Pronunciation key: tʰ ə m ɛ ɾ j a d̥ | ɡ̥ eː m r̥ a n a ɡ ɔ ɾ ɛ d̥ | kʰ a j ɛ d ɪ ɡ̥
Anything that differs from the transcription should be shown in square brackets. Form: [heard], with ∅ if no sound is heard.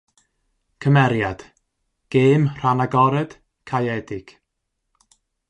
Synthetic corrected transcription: [kʰ] ə m ɛ ɾ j a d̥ | ɡ̥ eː m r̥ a n a ɡ ɔ ɾ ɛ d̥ | kʰ a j ɛ d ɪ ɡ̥

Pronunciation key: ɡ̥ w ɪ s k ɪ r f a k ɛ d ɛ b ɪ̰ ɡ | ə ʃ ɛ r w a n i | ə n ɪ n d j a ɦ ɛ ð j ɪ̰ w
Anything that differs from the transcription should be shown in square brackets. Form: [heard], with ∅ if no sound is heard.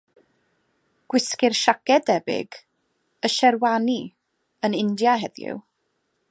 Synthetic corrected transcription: ɡ̥ w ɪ s k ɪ r [ʃ] a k ɛ d ɛ b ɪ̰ ɡ | ə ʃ ɛ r w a n i | ə n ɪ n d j a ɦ ɛ ð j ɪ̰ w

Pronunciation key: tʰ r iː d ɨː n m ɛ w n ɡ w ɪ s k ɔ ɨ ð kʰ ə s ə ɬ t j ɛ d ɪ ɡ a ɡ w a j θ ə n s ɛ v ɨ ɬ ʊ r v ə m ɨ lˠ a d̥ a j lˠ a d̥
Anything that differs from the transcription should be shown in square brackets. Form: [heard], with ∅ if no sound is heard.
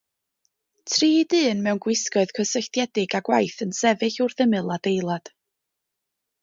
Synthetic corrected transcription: tʰ r iː d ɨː n m ɛ w n ɡ w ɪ s k ɔ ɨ ð kʰ ə s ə ɬ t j ɛ d ɪ ɡ a ɡ w a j θ ə n s ɛ v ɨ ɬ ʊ r [ð] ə m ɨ lˠ a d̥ [e] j lˠ a d̥

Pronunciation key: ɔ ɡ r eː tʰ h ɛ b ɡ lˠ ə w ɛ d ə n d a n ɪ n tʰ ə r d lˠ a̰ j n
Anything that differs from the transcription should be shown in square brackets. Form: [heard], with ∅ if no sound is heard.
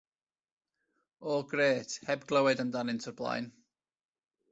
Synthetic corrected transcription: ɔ ɡ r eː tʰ h ɛ b ɡ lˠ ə w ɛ d ə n d a n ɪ n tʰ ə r [b] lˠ a̰ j n

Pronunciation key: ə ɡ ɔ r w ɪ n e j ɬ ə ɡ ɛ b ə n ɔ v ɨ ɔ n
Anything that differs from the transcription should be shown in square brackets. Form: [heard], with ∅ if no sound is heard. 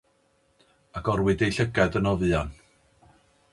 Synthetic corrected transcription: [a] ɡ ɔ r w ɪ [d] e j ɬ ə ɡ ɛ [d] ə n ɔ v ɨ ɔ n

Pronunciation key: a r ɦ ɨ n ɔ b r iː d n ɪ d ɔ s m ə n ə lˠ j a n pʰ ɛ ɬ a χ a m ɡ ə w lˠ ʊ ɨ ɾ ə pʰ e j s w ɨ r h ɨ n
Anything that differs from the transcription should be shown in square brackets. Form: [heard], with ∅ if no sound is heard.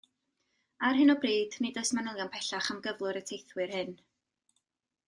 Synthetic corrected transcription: a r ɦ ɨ n ɔ b r iː d n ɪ d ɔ s m [a] n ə lˠ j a n pʰ ɛ ɬ a χ a m ɡ ə [v] lˠ ʊ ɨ ɾ ə [tʰ] e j [θ] w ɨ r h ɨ n

